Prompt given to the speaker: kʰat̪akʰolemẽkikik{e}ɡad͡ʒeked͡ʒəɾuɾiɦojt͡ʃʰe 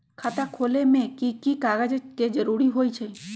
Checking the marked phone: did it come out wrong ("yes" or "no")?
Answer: yes